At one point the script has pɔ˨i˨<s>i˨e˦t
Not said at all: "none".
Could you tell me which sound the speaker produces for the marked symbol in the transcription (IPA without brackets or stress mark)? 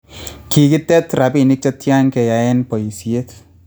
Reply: s